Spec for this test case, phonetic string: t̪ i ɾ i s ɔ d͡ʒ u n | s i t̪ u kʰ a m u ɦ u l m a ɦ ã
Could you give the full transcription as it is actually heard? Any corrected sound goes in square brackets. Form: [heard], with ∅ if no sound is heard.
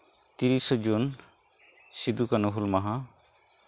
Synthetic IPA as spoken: t̪ i ɾ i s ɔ d͡ʒ u n | s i [d̪] u [k] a [n] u ɦ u l m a ɦ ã